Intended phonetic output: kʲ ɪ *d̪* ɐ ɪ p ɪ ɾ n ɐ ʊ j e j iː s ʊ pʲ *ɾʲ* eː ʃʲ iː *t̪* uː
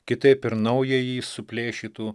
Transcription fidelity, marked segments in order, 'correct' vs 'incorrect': incorrect: t̪, incorrect: lʲ, correct

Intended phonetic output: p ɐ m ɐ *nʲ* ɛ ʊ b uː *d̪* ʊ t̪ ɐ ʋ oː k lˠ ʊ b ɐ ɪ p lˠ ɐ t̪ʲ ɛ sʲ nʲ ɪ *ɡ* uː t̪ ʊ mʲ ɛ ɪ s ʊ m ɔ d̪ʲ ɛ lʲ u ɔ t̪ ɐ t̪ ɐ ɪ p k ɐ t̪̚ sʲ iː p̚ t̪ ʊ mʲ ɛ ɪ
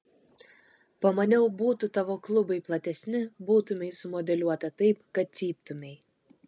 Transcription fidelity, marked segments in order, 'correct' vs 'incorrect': correct, incorrect: t̪, incorrect: b

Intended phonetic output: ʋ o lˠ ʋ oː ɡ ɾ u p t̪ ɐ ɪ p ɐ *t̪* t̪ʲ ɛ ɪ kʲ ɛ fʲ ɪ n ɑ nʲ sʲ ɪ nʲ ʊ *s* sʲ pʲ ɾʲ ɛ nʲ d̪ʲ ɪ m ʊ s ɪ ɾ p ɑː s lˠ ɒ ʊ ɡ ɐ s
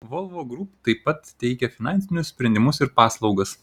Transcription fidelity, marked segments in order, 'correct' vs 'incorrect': correct, correct

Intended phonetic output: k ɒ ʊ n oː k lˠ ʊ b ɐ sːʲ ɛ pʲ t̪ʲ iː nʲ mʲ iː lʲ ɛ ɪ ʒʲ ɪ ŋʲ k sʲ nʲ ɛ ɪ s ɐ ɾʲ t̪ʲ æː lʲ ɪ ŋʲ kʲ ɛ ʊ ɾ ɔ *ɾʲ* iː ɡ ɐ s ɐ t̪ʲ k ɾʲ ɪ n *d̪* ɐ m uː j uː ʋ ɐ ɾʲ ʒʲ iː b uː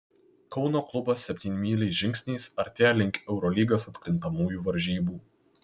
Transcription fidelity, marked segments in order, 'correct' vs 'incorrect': incorrect: lʲ, incorrect: t̪

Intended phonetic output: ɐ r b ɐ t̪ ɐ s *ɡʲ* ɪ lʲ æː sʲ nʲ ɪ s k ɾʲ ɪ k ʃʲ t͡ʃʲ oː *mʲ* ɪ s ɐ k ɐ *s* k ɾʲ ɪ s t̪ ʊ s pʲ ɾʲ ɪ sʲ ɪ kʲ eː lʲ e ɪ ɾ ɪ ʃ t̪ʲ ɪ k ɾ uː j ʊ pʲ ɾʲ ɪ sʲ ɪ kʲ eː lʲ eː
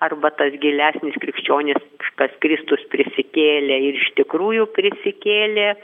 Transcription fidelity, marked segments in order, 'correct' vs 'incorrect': correct, incorrect: nʲ, correct

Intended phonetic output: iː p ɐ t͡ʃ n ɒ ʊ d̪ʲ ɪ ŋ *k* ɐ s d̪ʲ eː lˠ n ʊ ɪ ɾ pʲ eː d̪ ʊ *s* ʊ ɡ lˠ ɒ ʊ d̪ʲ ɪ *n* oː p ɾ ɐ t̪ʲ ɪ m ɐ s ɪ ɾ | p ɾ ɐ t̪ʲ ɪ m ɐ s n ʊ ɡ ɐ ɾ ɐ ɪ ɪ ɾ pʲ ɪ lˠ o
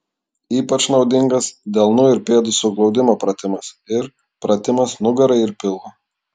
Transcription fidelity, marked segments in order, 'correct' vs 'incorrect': incorrect: ɡ, correct, incorrect: m

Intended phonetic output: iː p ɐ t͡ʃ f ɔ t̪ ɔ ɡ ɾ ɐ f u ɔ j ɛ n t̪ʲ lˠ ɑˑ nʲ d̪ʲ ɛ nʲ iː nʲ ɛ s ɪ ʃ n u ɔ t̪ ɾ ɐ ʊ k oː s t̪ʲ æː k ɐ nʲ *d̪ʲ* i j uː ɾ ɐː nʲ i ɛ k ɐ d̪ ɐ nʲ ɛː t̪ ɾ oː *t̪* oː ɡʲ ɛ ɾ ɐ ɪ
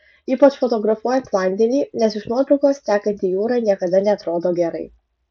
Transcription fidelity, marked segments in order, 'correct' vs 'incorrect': incorrect: t̪ʲ, incorrect: d̪

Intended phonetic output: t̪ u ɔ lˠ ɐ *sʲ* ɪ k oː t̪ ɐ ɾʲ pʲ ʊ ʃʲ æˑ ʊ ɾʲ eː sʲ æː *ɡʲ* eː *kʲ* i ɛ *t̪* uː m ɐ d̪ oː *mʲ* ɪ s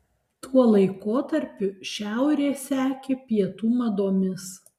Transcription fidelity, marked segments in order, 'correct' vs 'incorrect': incorrect: none, incorrect: kʲ, incorrect: pʲ, correct, correct

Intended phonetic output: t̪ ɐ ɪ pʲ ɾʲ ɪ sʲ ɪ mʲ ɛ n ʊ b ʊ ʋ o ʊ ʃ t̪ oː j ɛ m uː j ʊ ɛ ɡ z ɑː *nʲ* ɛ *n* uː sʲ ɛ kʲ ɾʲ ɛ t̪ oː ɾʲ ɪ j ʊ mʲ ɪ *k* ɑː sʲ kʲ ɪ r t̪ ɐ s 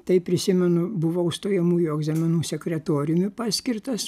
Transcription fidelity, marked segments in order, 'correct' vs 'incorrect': incorrect: mʲ, correct, incorrect: p

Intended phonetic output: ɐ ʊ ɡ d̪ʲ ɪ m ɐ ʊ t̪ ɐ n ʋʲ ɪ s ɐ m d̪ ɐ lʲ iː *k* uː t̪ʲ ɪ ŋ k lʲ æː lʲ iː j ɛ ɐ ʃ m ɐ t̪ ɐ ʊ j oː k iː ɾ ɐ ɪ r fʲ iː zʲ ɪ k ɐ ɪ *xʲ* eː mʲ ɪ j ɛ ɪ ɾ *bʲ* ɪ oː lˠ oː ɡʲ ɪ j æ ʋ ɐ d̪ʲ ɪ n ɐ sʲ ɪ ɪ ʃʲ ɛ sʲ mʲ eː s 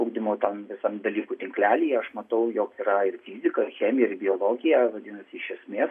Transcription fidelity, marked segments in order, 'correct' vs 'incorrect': correct, correct, correct

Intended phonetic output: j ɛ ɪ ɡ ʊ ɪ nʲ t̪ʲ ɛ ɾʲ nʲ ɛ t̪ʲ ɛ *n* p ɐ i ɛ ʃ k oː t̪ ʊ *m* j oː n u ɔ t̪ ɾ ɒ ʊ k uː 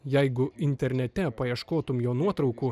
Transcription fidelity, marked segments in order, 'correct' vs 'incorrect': incorrect: none, correct

